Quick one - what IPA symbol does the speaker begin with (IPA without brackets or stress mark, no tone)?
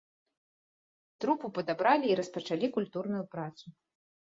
t̪